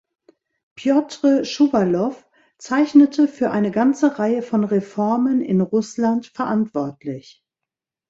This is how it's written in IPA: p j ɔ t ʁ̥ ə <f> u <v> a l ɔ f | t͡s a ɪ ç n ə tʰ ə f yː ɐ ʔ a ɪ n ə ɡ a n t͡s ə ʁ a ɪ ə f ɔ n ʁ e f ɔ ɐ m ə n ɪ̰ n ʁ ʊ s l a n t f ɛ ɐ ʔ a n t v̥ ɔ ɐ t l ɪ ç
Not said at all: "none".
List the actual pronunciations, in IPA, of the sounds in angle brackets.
ʃ, v

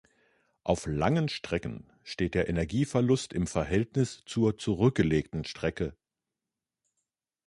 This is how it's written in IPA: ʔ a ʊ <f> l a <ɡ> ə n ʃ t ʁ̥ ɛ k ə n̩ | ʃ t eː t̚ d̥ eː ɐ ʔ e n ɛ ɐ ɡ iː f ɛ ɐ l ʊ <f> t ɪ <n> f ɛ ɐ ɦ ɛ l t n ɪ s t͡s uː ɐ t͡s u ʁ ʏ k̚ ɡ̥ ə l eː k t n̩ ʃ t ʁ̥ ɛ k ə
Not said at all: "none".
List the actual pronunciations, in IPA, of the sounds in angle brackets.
f, ŋ, s, m

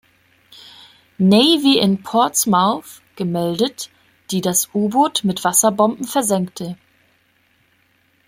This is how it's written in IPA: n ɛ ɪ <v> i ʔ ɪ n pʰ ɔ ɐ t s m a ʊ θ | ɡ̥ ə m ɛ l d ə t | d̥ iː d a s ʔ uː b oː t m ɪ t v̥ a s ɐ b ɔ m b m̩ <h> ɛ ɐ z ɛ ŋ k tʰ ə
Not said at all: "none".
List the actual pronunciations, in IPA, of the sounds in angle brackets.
v, f

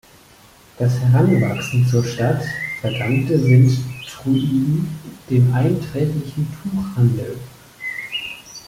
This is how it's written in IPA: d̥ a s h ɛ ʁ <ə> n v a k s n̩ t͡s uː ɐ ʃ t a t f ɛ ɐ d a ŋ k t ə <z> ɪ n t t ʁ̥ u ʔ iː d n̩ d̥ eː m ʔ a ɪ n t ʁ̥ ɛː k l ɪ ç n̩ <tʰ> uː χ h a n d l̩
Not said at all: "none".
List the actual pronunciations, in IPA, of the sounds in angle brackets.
a, z, tʰ

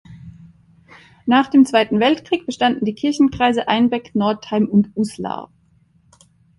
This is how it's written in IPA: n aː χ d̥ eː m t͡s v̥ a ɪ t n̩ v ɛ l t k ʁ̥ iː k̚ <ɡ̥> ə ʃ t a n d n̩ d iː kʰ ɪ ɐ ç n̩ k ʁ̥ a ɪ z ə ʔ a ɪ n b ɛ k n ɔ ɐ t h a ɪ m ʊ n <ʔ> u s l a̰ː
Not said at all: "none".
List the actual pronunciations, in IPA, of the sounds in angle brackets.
b̥, t

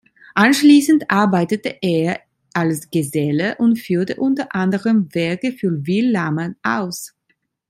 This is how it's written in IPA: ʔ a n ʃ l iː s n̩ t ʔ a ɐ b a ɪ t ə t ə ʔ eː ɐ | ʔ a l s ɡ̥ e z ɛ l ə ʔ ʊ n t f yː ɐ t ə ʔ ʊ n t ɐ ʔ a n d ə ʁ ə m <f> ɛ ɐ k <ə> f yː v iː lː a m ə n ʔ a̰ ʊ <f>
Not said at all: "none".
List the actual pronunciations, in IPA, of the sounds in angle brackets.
v, ə, s

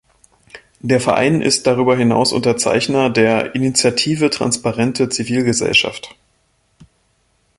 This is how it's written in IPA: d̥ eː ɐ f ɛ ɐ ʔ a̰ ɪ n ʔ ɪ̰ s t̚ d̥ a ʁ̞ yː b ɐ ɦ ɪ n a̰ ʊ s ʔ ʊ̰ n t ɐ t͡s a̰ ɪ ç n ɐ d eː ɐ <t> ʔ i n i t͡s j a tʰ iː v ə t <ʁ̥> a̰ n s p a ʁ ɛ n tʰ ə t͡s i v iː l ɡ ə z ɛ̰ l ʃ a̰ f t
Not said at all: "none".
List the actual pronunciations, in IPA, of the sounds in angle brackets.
none, ʁ̥

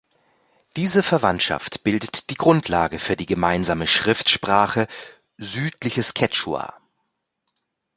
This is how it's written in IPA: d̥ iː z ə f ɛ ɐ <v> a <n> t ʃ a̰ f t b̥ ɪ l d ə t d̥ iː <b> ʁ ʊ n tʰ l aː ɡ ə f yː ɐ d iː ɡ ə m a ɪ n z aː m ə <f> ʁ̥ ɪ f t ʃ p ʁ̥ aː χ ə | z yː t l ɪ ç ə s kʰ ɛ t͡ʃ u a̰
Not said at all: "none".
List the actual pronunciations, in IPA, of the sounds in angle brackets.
v, n, ɡ, ʃ

